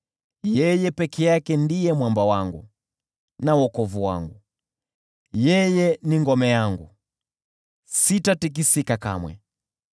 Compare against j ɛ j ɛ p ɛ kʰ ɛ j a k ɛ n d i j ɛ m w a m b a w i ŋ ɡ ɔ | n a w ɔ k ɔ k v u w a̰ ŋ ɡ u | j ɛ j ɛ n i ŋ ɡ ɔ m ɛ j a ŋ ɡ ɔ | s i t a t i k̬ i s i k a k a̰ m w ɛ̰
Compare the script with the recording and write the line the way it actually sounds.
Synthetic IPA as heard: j ɛ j ɛ p ɛ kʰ ɛ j a k ɛ n d i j ɛ m w a m b a w a ŋ ɡ u | n a w ɔ k ɔ v u w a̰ ŋ ɡ u | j ɛ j ɛ n i ŋ ɡ ɔ m ɛ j a ŋ ɡ u | s i t a t i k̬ i s i k a k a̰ m w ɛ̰